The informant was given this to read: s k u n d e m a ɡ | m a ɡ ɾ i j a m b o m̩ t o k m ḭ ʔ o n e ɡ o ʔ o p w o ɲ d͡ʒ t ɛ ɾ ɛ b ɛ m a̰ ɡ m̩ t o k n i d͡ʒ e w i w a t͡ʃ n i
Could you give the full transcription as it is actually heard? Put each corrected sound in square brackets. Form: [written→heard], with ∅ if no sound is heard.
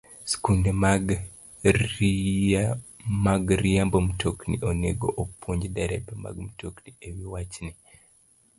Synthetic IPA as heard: s k u n d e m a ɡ | m a ɡ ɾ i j a m b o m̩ t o k [m→n] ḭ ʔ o n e ɡ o ʔ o p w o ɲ d͡ʒ [t→d] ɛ ɾ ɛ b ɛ m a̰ ɡ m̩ t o k n i [d͡ʒ→∅] e w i w a t͡ʃ n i